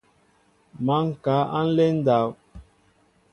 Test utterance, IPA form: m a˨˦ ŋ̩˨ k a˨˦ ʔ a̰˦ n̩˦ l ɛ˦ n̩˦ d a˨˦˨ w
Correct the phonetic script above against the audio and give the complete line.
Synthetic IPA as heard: m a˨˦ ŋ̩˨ k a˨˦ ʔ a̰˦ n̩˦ l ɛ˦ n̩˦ d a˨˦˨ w